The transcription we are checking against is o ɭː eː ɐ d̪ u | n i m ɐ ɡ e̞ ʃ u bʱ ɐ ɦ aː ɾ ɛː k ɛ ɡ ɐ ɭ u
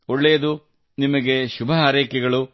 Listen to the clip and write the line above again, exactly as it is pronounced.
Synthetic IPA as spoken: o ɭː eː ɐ d̪ u | n i m ɐ ɡ e̞ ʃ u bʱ ɐ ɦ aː ɾ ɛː k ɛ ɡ ɐ ɭ u

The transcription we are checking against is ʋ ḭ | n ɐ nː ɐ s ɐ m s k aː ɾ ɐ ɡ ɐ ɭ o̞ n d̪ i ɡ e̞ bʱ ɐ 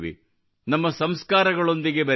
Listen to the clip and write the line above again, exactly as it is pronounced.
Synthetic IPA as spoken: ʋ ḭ | n ɐ mː ɐ s ɐ m s k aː ɾ ɐ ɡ ɐ ɭ o̞ n d̪ i ɡ e̞ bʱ ɐ

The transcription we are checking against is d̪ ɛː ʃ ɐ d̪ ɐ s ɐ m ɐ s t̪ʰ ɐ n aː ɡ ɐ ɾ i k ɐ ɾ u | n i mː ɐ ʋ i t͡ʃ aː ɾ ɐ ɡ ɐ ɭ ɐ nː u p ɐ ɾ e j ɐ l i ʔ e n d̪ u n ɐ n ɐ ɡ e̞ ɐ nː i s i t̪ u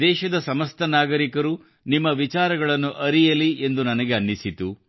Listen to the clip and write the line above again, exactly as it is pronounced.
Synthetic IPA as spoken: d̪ ɛː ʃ ɐ d̪ ɐ s ɐ m ɐ s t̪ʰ ɐ n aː ɡ ɐ ɾ i k ɐ ɾ u | n i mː ɐ ʋ i t͡ʃ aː ɾ ɐ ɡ ɐ ɭ ɐ nː u ʔ ɐ ɾ i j ɐ l i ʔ e n d̪ u n ɐ n ɐ ɡ e̞ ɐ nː i s i t̪ u

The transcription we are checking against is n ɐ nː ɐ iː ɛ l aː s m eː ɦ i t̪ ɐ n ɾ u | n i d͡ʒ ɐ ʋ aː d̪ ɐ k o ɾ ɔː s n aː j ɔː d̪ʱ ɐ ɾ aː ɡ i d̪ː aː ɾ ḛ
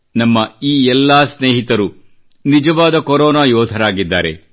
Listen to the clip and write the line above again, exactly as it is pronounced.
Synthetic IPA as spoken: n ɐ mː ɐ iː ɛ lː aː s n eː ɦ i t̪ ɐ ɾ u | n i d͡ʒ ɐ ʋ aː d̪ ɐ k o ɾ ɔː n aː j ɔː d̪ʱ ɐ ɾ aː ɡ i d̪ː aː ɾ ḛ

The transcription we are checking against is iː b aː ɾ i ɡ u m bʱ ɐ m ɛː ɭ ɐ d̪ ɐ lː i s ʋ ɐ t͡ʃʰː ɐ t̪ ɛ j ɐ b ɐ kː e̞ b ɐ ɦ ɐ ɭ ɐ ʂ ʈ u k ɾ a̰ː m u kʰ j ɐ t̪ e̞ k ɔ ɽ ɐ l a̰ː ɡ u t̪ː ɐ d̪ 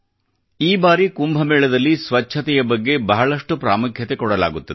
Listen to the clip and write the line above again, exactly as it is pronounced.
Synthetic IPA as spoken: iː b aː ɾ i k u m bʱ ɐ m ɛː ɭ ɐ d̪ ɐ lː i s ʋ ɐ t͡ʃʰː ɐ t̪ ɛ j ɐ b ɐ ɡː e̞ b ɐ ɦ ɐ ɭ ɐ ʂ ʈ u p ɾ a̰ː m u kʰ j ɐ t̪ e̞ k ɔ ɽ ɐ l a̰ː ɡ u t̪ː ɐ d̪

